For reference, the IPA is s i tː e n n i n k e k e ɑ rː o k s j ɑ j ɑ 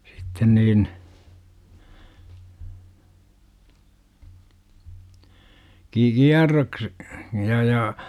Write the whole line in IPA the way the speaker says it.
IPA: s i tː e n n iː n k i k i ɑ rː o k s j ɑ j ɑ